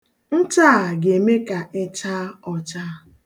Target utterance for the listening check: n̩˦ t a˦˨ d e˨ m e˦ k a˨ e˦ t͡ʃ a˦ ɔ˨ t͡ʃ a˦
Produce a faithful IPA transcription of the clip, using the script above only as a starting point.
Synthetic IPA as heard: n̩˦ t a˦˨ ɡ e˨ m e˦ k a˨ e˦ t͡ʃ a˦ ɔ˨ t͡ʃ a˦